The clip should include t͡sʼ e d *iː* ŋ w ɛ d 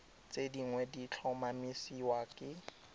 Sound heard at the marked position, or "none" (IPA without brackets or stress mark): i